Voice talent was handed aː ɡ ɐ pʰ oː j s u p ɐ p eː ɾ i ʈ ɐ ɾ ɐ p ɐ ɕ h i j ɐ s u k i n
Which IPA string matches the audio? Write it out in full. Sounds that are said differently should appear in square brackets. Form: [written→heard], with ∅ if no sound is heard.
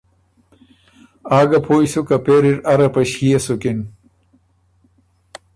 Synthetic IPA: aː ɡ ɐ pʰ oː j s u [p→k] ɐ p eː ɾ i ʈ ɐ ɾ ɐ p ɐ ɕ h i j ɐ s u k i n